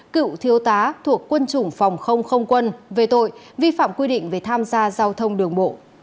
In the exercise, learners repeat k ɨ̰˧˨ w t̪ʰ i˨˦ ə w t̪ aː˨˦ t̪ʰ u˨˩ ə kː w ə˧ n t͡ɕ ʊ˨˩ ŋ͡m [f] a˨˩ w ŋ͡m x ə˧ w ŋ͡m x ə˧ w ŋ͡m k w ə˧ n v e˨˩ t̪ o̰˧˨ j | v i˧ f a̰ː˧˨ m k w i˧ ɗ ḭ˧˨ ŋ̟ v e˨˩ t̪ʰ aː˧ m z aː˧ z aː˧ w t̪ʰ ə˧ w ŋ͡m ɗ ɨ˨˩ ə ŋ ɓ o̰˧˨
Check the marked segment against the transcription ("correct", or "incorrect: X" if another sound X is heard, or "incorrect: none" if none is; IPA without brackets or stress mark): correct